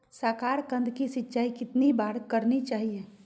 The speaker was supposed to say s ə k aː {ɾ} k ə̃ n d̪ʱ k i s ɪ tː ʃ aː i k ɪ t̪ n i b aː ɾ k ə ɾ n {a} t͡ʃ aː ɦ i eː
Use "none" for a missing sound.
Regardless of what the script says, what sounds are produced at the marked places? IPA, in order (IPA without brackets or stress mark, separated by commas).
ɾ, i